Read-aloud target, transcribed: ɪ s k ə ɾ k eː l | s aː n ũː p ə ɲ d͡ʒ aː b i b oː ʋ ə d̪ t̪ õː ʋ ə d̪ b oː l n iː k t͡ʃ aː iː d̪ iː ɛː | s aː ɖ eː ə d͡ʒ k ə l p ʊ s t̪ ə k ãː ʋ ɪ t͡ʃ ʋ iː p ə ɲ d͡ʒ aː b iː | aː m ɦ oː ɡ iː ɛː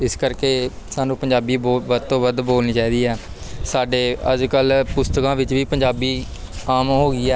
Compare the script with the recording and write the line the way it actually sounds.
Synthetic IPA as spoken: ɪ s k ə ɾ k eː | s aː n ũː p ə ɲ d͡ʒ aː b iː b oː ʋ ə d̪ t̪ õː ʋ ə d̪ b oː l n iː t͡ʃ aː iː d̪ iː ɛː | s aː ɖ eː ə d͡ʒ k ə l p ʊ s t̪ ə k ãː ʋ ɪ t͡ʃ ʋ iː p ə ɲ d͡ʒ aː b iː | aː m ɦ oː ɡ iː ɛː

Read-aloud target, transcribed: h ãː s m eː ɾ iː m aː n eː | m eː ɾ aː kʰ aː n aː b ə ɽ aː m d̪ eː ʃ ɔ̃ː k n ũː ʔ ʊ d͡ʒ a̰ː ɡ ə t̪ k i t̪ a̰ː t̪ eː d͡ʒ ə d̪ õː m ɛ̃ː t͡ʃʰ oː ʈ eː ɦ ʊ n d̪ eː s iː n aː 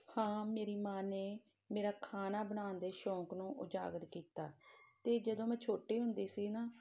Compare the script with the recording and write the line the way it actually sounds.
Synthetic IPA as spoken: h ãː m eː ɾ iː m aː n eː | m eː ɾ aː kʰ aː n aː b ə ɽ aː n d̪ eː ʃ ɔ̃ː k n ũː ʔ ʊ d͡ʒ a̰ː ɡ ə t̪ k iː t̪ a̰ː t̪ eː d͡ʒ ə d̪ õː m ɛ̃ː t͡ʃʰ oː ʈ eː ɦ ʊ n d̪ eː s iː n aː

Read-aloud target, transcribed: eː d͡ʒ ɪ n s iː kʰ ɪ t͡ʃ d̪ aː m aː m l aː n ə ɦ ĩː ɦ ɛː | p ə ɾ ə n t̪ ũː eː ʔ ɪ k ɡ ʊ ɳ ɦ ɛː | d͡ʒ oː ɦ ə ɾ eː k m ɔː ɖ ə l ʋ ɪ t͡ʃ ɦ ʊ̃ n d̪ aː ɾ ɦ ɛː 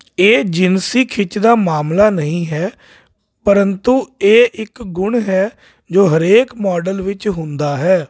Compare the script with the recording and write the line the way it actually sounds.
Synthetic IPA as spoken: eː d͡ʒ ɪ n s iː kʰ ɪ t͡ʃ d̪ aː m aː m l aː n ə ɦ ĩː ɦ ɛː | p ə ɾ ə n t̪ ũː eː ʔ ɪ k ɡ ʊ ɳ ɦ ɛː | d͡ʒ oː ɦ ə ɾ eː k m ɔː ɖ ə l ʋ ɪ t͡ʃ ɦ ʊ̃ n d̪ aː ɦ ɛː

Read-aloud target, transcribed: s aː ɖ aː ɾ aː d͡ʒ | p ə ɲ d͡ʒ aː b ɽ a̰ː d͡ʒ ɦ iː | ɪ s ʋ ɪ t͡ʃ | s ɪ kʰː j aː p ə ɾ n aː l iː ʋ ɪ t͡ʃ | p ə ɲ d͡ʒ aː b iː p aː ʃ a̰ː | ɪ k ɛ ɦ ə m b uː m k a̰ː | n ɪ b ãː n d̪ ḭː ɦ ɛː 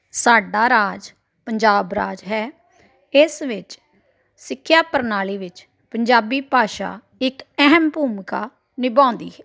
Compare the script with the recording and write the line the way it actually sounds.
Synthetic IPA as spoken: s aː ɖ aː ɾ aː d͡ʒ | p ə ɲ d͡ʒ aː b ɾ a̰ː d͡ʒ ɦ ɛː | ɪ s ʋ ɪ t͡ʃ | s ɪ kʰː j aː p ə ɾ n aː l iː ʋ ɪ t͡ʃ | p ə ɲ d͡ʒ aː b iː p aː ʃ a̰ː | ɪ k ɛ ɦ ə m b uː m k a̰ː | n ɪ b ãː n d̪ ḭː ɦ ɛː

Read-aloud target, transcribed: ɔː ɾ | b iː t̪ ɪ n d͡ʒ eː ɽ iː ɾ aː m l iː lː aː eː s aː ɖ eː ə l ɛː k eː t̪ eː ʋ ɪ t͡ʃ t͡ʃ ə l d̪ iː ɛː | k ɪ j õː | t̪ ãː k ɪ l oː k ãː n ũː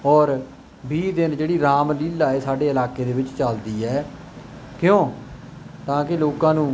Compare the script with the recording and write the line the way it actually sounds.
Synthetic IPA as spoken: ɔː ɾ | b iː d̪ ɪ n d͡ʒ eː ɽ iː ɾ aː m l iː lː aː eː s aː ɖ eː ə l aː k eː d̪ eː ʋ ɪ t͡ʃ t͡ʃ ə l d̪ iː ɛː | k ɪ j õː | t̪ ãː k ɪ l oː k ãː n ũː

